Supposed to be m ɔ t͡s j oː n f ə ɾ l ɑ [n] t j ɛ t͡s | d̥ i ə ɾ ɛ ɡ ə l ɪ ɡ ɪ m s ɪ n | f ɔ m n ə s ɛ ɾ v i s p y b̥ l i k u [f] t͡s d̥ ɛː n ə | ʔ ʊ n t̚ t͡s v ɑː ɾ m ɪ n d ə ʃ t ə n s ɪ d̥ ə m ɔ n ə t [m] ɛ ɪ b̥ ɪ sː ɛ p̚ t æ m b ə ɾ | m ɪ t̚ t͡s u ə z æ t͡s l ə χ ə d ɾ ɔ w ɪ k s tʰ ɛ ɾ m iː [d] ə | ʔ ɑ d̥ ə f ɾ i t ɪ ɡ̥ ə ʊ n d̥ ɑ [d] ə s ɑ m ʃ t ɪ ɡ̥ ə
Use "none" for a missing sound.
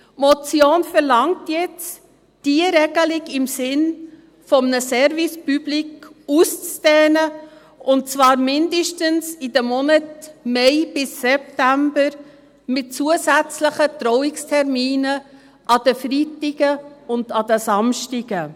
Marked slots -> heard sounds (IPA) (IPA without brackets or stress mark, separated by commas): ŋ, s, m, n, d